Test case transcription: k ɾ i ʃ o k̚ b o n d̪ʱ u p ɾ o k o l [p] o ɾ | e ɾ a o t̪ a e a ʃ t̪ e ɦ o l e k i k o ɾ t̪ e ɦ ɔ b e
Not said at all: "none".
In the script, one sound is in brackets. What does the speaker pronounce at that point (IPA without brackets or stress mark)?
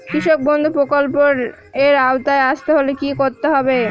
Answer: p